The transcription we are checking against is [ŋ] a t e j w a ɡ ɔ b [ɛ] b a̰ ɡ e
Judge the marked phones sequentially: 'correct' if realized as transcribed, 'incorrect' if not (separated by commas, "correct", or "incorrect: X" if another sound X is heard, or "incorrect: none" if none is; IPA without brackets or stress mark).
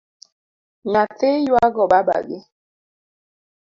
incorrect: ɲ, incorrect: a